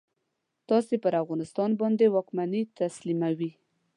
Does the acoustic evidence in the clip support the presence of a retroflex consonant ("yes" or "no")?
no